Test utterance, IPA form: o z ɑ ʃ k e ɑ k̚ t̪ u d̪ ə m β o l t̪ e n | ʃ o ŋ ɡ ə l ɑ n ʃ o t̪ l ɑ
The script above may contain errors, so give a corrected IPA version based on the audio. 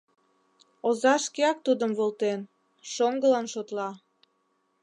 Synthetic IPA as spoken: o z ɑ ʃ k e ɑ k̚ t̪ u d̪ ə m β o l t̪ e n | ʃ o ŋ ɡ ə l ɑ n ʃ o t̪ l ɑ

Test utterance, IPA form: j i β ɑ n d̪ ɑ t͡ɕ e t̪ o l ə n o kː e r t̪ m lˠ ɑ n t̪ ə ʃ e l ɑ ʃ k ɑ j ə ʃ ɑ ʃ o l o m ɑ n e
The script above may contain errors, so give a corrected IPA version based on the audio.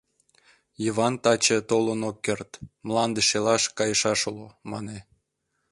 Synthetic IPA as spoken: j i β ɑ n t̪ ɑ t͡ɕ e t̪ o l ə n o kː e r t̪ m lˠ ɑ n d̪ ə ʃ e l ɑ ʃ k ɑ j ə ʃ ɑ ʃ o l o m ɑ n e

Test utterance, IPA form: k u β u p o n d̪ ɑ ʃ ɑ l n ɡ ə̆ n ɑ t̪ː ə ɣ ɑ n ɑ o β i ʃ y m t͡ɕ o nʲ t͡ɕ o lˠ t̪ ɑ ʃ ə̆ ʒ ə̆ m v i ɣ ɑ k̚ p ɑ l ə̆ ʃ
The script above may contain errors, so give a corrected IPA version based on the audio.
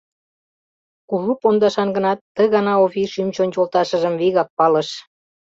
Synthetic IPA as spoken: k u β u p o n d̪ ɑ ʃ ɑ n ɡ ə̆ n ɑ t̪ː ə ɣ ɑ n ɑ o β i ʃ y m t͡ɕ o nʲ t͡ɕ o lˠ t̪ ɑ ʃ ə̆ ʒ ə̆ m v i ɣ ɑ k̚ p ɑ l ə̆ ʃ

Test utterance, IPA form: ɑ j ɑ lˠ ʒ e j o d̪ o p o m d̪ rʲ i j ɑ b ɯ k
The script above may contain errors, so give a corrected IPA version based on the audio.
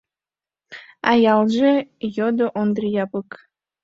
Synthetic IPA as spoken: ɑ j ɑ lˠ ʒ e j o d̪ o ʔ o n d̪ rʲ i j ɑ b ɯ k

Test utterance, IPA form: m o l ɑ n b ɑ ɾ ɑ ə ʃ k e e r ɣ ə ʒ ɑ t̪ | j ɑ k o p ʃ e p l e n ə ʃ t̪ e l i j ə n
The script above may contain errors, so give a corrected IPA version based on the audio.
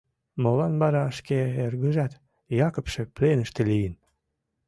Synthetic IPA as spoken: m o l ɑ n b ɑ ɾ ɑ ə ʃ k e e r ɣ ə ʒ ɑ t̪ | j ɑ k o p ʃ e p l e n ə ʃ t̪ e l i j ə n

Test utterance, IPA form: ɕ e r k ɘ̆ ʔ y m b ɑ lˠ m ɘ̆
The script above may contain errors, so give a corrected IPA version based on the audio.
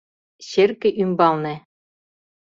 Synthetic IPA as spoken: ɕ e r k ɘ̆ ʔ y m b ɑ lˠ n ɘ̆

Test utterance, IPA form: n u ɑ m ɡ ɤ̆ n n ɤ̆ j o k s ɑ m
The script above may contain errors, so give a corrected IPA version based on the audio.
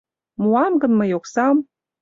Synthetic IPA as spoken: m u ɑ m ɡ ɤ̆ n m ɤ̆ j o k s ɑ m

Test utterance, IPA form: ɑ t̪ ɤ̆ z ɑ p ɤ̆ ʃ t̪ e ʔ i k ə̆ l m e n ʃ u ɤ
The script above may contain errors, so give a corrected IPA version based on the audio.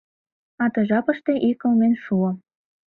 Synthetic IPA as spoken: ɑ t̪ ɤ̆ ʒ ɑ p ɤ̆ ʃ t̪ e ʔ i k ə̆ l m e n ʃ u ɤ

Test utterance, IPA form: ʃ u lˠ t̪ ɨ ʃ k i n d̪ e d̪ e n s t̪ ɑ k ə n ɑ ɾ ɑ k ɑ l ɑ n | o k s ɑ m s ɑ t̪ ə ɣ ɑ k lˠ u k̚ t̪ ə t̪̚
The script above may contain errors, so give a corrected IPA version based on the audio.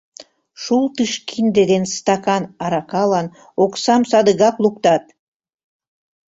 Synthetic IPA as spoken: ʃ u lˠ t̪ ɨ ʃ k i n d̪ e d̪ e n s t̪ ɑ k ɑ n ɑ ɾ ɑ k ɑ l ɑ n | o k s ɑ m s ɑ d̪ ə ɣ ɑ k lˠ u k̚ t̪ ɑ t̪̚

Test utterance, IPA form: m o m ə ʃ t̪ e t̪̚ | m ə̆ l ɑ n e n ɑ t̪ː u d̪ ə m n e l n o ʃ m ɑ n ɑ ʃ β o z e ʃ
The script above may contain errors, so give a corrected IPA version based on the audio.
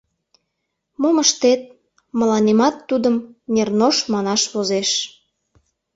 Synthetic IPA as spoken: m o m ə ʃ t̪ e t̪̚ | m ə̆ l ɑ n e m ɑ t̪ː u d̪ ə m n e r n o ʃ m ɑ n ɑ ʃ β o z e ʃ

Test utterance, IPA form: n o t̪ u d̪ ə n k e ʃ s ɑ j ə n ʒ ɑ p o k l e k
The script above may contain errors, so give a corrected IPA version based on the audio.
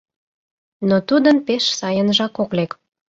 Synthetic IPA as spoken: n o t̪ u d̪ ə n p e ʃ s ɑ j ə n ʒ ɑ k o k l e k

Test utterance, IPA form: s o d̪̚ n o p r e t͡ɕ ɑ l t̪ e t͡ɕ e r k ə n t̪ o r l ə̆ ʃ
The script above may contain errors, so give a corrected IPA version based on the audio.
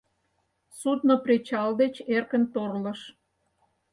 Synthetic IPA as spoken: s u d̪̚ n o p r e t͡ɕ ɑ l d̪ e t͡ɕ e r k ə n t̪ o r l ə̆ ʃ

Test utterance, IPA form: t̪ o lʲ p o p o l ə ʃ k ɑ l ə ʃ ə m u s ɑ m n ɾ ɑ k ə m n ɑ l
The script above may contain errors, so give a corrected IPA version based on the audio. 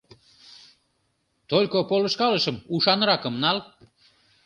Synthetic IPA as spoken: t̪ o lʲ k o p o l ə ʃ k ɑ l ə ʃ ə m u ʃ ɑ n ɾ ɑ k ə m n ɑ l

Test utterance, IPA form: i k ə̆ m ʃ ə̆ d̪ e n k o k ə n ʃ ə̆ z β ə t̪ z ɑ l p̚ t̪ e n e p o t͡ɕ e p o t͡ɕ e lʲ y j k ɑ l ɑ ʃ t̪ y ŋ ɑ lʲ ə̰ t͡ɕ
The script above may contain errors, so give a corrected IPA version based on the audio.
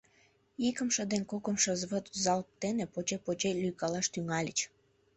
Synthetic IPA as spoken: i k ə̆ m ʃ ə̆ d̪ e n k o k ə m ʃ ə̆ z β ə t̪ z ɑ l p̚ t̪ e n e p o t͡ɕ e p o t͡ɕ e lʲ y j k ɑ l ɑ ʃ t̪ y ŋ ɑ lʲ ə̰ t͡ɕ

